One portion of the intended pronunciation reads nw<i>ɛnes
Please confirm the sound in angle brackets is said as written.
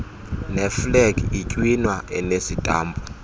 no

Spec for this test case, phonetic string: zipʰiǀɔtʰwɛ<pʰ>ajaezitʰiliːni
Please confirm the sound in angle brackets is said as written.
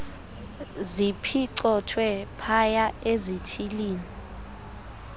yes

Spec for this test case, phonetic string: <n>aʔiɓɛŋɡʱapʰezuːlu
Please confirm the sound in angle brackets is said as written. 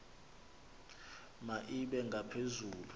no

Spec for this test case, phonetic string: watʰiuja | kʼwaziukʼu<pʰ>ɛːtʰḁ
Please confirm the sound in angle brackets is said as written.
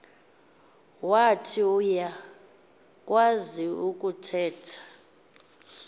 no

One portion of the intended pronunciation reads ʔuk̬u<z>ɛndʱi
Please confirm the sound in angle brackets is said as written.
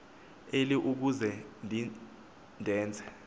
yes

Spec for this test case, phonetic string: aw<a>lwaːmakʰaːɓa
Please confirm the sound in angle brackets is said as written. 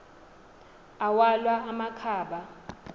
yes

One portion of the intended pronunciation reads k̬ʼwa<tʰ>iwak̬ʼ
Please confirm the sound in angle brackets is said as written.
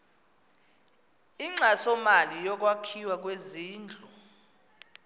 no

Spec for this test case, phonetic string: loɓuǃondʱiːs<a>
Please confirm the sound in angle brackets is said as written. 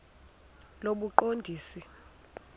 no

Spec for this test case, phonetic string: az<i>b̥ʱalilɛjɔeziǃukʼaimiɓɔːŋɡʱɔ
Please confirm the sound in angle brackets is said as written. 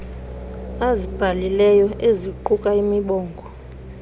yes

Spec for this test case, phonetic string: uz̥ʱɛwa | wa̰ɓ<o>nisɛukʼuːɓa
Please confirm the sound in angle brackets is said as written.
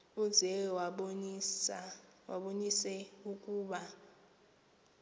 yes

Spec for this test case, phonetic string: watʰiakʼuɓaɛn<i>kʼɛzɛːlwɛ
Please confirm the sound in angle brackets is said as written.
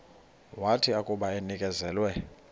yes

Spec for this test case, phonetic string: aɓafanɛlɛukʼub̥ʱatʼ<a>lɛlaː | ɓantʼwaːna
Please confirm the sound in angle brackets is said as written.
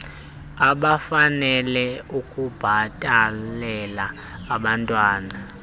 yes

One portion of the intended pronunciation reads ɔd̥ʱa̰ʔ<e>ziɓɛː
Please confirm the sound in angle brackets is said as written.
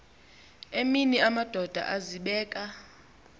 no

